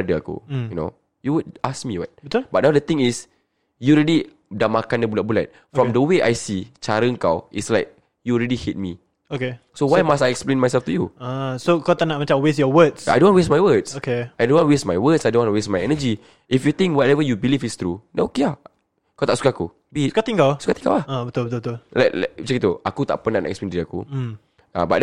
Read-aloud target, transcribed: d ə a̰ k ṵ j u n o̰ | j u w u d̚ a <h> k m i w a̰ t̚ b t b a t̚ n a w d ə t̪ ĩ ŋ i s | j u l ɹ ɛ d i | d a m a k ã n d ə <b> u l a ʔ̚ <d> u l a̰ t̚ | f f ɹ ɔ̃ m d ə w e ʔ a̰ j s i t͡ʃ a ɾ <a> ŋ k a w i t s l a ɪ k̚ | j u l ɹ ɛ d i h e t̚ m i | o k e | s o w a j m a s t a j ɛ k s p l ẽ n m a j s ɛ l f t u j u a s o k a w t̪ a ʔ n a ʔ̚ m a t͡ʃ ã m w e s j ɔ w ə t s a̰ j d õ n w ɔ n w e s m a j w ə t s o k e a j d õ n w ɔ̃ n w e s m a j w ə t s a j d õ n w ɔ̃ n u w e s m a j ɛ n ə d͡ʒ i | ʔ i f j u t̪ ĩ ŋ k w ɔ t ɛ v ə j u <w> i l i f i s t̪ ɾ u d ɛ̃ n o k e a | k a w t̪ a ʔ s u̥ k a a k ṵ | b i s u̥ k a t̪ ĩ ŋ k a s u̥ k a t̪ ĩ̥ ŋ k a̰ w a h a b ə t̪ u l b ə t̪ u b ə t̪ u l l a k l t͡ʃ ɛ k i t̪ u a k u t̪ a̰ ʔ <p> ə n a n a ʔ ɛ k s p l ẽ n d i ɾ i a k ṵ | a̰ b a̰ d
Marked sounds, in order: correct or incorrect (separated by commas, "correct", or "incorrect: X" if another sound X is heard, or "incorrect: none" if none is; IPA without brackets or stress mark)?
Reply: incorrect: s, correct, incorrect: b, incorrect: ə, incorrect: b, correct